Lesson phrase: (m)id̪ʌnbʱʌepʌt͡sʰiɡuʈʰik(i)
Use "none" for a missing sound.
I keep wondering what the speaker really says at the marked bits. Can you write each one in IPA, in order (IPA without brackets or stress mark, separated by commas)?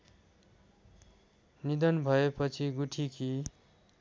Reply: n, i